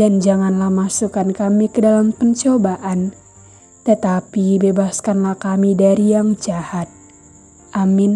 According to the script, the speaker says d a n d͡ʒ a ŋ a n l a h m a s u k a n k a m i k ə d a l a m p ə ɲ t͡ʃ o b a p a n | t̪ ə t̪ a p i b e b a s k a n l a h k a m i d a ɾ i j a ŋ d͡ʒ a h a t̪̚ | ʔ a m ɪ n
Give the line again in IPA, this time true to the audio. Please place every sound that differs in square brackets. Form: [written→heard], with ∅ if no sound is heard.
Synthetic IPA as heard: d a n d͡ʒ a ŋ a n l a h m a s u k a n k a m i k ə d a l a m p ə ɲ t͡ʃ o b a [p→ʔ] a n | t̪ ə t̪ a p i b e b a s k a n l a h k a m i d a ɾ i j a ŋ d͡ʒ a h a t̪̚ | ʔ a m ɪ n